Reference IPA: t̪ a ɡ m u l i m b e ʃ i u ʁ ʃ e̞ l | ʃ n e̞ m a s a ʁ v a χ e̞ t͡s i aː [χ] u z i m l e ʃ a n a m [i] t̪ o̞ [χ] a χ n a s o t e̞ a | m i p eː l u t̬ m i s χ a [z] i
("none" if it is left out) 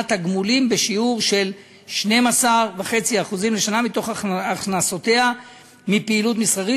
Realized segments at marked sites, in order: χ, i, χ, ʁ

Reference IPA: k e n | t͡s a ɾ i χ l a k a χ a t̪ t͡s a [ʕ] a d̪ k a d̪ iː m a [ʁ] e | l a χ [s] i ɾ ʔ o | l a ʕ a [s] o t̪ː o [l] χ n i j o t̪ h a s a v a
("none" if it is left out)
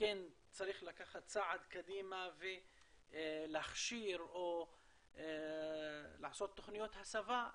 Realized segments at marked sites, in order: ʕ, v, ʃ, s, none

